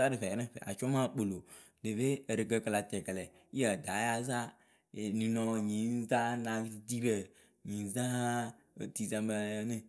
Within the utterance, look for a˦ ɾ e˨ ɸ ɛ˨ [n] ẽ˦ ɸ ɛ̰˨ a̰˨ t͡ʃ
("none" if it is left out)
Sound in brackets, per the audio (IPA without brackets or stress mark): n